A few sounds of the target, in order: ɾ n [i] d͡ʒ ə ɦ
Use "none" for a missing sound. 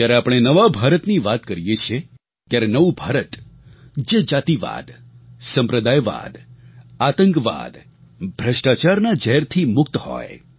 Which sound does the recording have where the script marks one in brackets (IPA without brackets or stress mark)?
a